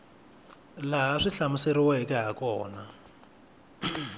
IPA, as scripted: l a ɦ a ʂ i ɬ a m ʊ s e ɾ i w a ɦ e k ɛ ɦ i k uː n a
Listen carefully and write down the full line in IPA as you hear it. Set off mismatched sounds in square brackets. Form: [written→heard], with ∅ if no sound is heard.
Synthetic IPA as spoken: l a ɦ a ʂ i ɬ a m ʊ s e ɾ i w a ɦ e k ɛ ɦ [i→a] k [uː→ɔː] n a